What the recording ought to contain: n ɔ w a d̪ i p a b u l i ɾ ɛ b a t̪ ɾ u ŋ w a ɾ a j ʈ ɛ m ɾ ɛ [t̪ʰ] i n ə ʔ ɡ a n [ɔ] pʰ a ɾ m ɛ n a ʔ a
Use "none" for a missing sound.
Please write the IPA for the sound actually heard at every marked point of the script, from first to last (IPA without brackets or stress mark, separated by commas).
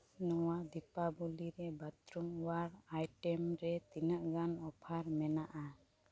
t̪, ɔ